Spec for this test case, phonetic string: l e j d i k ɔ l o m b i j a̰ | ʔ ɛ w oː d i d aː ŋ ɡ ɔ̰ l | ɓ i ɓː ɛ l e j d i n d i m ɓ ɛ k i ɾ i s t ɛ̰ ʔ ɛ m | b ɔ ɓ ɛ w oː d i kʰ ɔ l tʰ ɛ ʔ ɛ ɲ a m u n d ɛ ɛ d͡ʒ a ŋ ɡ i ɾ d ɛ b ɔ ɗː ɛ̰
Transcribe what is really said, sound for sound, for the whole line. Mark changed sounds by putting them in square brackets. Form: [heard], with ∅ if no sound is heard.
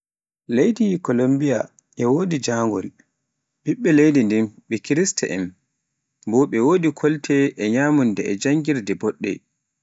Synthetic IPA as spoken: l e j d i k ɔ l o m b i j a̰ | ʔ ɛ w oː d i [d͡ʒ] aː ŋ ɡ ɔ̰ l | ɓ i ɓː ɛ l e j d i n d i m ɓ ɛ k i ɾ i s t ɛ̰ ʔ ɛ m | b ɔ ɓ ɛ w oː d i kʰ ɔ l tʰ ɛ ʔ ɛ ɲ a m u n d ɛ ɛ d͡ʒ a ŋ ɡ i ɾ d ɛ b ɔ ɗː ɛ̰

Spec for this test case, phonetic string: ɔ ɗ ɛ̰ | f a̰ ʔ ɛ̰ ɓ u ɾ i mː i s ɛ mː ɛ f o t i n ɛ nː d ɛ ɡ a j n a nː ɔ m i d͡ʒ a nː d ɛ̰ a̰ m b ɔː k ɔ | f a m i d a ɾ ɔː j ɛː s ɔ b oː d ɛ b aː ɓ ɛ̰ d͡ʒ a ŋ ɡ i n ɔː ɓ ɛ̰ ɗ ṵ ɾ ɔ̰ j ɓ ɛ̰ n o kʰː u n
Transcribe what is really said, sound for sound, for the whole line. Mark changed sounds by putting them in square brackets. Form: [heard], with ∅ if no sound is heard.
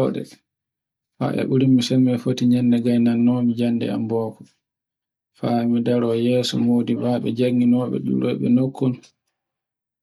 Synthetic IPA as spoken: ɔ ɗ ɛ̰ | f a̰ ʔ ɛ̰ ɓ u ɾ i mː i s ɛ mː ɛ f o t i [ɲ] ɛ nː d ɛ ɡ a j n a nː ɔ m i d͡ʒ a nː d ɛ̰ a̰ m b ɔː k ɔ | f a m i d a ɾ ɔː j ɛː s ɔ [m] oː d [i] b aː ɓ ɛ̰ d͡ʒ a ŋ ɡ i n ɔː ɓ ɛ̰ ɗ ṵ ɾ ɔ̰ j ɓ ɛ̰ n o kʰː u n

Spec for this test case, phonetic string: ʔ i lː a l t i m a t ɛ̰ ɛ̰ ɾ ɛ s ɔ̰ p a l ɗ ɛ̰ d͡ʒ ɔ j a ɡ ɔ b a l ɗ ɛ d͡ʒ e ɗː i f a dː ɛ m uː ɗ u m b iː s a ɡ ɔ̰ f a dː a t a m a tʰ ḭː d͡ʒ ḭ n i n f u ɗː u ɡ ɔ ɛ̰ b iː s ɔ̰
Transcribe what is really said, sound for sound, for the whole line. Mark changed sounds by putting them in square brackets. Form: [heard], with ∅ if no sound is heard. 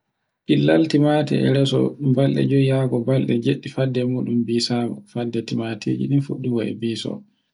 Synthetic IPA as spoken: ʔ i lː a l t i m a t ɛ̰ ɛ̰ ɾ ɛ s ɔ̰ [b] a l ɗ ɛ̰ d͡ʒ ɔ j a ɡ ɔ b a l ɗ ɛ d͡ʒ e ɗː i f a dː ɛ m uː ɗ u m b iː s a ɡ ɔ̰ f a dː [ɛ] t [i] m a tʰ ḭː d͡ʒ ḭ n i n f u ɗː u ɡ ɔ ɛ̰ b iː s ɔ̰

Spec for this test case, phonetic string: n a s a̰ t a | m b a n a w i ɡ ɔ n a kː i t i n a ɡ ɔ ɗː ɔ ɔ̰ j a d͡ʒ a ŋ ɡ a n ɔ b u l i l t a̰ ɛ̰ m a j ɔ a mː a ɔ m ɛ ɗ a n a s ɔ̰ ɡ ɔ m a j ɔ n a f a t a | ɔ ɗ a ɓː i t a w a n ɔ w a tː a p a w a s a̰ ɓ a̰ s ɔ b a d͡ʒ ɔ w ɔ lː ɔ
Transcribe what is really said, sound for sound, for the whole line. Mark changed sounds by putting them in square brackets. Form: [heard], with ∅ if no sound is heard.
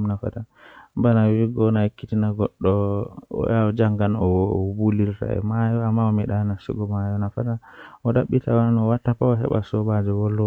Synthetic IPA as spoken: n a [f] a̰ t a | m b a n a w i ɡ ɔ n a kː i t i n a ɡ ɔ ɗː ɔ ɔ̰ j a d͡ʒ a ŋ ɡ a n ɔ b u l i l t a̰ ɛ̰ m a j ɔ a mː a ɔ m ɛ ɗ a n a s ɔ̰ ɡ ɔ m a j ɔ n a f a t a | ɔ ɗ a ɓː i t a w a n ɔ w a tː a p a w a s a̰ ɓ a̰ s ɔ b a d͡ʒ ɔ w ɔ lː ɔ

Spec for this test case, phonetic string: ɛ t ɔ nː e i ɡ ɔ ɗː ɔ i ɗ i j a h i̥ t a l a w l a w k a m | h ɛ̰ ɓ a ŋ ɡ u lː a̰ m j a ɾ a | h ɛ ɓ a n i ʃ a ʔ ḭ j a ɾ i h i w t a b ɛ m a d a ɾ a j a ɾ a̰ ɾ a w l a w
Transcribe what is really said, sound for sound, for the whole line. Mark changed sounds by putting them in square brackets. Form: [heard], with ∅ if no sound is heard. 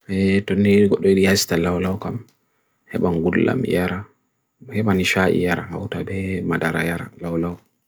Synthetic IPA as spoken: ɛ t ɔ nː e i ɡ ɔ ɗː ɔ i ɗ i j a [s] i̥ t a l a w l a w k a m | h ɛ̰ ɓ a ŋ ɡ u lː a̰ m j a ɾ a | h ɛ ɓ a n i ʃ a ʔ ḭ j a ɾ [a] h [a] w t a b ɛ m a d a ɾ a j a ɾ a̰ [l] a w l a w

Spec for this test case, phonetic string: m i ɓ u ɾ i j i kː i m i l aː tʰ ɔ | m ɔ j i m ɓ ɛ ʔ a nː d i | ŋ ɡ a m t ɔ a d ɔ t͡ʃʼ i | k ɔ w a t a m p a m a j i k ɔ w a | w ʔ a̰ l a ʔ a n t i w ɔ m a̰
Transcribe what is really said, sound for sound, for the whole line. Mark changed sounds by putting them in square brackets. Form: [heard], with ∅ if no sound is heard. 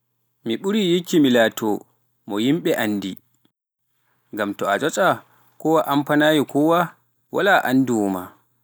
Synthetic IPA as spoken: m i ɓ u ɾ i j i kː i m i l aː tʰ ɔ | m ɔ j i m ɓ ɛ ʔ a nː d i | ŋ ɡ a m t ɔ a [d͡ʒ] ɔ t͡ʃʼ [a] | k ɔ w a [ʔ] a m p a [n] a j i k ɔ w a | w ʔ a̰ l a ʔ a n [d] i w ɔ m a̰

